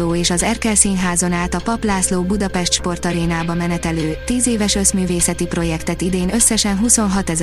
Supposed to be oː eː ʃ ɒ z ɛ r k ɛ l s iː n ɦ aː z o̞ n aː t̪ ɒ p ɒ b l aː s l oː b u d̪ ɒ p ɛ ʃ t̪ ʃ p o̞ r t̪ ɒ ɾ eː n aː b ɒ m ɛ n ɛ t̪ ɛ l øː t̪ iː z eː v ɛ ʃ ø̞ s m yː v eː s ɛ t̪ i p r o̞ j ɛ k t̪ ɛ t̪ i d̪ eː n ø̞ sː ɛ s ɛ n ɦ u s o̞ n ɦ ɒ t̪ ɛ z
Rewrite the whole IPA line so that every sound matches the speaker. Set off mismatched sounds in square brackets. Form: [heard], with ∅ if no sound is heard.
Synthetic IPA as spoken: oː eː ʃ ɒ z ɛ r k ɛ l s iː n ɦ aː z o̞ n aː t̪ ɒ p ɒ [p] l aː s l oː b u d̪ ɒ p ɛ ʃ t̪ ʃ p o̞ r t̪ ɒ ɾ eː n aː b ɒ m ɛ n ɛ t̪ ɛ l øː t̪ iː z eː v ɛ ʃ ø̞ s m yː v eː s ɛ t̪ i p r o̞ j ɛ k t̪ ɛ t̪ i d̪ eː n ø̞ sː ɛ [ʃ] ɛ n ɦ u s o̞ n ɦ ɒ t̪ ɛ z